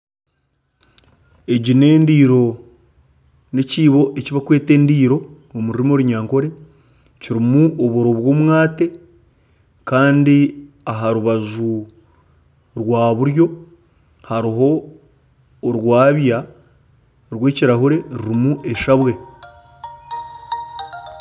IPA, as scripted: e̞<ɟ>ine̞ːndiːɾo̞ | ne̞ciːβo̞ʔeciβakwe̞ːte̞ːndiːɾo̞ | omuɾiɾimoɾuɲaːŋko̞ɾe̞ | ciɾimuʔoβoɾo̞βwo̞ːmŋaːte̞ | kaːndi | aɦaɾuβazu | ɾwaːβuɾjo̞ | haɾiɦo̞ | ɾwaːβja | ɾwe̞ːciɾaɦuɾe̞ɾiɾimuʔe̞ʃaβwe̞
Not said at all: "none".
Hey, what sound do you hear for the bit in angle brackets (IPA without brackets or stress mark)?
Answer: ɟ